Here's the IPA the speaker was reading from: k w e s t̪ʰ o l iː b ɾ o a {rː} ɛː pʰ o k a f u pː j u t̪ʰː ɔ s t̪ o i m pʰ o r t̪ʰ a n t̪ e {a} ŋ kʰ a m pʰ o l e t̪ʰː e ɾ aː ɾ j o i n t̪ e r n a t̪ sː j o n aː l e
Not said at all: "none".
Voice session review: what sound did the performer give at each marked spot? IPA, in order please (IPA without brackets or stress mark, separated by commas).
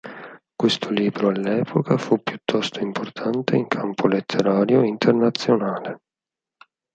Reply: lː, i